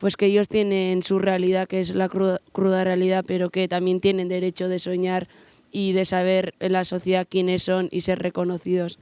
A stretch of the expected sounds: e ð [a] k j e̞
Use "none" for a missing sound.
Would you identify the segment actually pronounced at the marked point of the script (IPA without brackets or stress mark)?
a